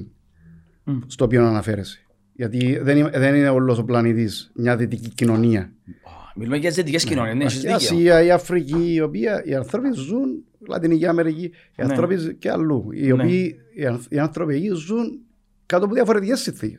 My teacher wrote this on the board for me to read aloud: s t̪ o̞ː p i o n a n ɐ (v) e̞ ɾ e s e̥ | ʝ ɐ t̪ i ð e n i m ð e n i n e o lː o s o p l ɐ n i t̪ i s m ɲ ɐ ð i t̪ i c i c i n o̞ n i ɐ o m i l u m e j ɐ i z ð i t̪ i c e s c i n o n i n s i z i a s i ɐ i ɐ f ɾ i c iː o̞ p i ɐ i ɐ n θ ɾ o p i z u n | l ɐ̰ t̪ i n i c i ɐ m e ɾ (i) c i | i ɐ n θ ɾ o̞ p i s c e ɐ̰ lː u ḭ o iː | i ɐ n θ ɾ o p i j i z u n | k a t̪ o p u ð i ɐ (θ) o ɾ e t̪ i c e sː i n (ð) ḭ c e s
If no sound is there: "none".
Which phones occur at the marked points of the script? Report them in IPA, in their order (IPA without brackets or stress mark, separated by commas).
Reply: f, i, f, θ